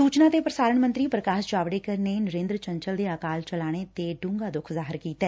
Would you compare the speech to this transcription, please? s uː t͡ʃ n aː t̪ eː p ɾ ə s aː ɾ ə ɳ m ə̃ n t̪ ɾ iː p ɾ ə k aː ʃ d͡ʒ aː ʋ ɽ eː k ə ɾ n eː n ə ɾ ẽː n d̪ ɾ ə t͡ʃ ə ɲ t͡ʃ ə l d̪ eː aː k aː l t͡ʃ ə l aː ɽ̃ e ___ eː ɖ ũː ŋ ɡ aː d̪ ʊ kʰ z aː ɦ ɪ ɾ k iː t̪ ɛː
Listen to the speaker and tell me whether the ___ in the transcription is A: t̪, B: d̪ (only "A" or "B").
A